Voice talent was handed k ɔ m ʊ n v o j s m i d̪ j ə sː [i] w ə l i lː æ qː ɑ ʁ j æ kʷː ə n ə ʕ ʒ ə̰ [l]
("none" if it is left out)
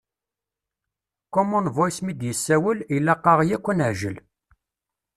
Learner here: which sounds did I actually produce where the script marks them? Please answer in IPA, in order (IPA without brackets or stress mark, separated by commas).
æ, l